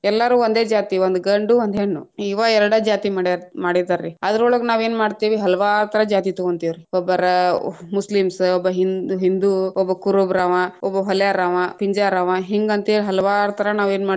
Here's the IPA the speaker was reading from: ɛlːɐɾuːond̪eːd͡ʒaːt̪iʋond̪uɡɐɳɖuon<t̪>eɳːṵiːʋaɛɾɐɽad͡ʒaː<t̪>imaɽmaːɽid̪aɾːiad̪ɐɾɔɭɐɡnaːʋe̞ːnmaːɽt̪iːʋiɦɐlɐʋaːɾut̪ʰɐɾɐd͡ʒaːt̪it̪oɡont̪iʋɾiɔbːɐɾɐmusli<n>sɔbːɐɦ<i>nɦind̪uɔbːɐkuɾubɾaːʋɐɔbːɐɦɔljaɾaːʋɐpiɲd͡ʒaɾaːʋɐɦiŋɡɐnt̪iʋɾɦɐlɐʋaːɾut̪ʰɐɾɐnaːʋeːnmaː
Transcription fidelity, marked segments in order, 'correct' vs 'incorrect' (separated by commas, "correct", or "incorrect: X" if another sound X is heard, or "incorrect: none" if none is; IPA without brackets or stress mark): incorrect: d̪, correct, incorrect: m, correct